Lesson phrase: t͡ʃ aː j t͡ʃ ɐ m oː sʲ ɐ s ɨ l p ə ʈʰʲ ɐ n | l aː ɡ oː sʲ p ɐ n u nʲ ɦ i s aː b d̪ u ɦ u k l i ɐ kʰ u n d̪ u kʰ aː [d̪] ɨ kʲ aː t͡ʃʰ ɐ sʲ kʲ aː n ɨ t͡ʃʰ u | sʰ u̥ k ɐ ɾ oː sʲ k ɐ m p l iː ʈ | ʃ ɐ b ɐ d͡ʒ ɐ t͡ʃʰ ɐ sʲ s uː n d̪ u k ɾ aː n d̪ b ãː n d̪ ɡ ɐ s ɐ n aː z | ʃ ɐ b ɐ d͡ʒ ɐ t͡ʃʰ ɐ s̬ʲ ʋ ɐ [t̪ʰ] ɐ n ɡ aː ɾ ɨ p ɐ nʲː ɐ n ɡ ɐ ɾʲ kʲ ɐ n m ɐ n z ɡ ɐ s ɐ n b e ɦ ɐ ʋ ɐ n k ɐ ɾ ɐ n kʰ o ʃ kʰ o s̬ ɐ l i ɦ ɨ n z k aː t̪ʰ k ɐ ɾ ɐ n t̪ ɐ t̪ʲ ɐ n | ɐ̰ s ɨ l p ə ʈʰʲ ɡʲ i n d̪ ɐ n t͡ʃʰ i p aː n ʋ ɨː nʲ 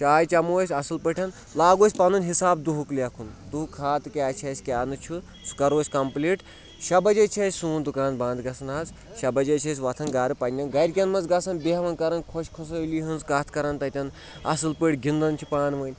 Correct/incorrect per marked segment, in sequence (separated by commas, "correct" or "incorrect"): incorrect, correct